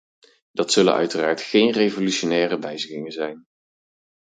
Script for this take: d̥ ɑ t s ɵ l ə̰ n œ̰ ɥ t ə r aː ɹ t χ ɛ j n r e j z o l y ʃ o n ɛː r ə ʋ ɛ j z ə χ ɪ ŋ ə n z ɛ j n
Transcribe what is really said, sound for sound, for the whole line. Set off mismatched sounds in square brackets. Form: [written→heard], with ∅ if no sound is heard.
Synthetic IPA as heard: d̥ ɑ t s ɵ l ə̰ n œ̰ ɥ t ə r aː ɹ t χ [ɛ→e] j n r e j [z→v] o l y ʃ o n ɛː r ə ʋ ɛ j z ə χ ɪ ŋ ə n z ɛ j n